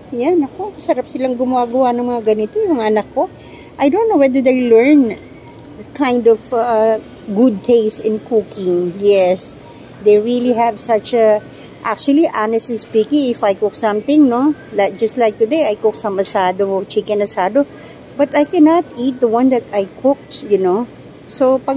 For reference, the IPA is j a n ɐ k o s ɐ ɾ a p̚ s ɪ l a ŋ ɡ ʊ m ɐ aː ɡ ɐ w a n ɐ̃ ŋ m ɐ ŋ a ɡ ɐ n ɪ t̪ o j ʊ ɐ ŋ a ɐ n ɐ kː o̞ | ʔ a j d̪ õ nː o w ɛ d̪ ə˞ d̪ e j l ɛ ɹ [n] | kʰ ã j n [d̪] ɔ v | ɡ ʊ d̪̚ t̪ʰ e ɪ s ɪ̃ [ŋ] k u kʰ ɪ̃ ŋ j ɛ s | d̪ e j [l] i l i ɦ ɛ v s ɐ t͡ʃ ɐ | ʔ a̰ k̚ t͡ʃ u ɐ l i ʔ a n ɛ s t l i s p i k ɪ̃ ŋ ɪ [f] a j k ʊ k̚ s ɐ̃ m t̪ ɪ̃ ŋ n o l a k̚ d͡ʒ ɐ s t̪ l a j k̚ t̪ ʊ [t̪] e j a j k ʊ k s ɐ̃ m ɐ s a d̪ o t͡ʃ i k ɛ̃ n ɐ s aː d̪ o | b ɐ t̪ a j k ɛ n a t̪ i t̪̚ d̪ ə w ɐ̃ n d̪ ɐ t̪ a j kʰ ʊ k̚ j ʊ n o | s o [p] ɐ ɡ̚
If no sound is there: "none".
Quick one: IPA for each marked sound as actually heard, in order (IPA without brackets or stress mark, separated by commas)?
n, d̪, n, ɹ, f, d̪, p